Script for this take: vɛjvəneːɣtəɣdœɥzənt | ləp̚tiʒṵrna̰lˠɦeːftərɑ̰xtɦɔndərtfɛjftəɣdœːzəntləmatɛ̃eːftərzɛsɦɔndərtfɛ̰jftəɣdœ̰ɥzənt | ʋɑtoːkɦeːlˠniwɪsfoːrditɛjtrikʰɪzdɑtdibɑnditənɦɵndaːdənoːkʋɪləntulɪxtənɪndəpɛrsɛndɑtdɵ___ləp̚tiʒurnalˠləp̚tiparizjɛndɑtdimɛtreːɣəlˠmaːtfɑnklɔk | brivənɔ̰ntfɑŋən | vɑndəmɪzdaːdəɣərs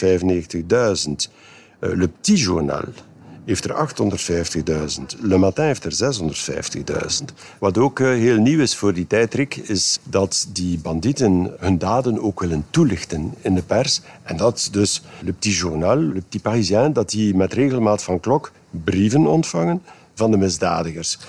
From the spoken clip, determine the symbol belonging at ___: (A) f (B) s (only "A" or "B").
B